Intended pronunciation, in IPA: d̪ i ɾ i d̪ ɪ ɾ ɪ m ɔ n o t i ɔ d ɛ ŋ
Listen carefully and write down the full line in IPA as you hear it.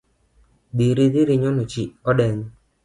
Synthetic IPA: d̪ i ɾ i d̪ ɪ ɾ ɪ ɲ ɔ n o t͡ʃ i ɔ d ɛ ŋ